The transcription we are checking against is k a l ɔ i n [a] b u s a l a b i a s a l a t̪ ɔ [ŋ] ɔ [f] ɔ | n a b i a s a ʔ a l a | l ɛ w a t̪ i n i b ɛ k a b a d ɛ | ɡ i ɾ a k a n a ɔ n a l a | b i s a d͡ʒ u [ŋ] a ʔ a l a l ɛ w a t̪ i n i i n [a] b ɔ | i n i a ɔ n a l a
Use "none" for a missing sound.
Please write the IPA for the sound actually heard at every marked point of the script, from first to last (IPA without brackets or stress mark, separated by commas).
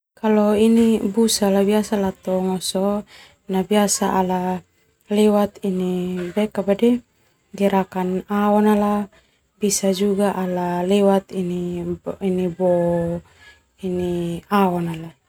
i, ŋ, s, ɡ, i